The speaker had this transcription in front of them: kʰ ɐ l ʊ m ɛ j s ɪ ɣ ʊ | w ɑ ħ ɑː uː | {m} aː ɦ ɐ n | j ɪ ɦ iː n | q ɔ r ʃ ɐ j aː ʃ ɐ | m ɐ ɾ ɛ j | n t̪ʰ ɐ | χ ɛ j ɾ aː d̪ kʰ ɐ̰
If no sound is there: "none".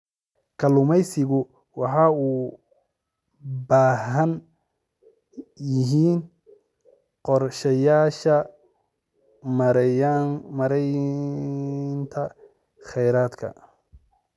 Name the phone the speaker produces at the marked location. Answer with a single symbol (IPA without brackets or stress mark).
b